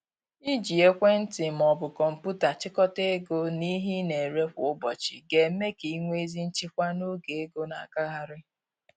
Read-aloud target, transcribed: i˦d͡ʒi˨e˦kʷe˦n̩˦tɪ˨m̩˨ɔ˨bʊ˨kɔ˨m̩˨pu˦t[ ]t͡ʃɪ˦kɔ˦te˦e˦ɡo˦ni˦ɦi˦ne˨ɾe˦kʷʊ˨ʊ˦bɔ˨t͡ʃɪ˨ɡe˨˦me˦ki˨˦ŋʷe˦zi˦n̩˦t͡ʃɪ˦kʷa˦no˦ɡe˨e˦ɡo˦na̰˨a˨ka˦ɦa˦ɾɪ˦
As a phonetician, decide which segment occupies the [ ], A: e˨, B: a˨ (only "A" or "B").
B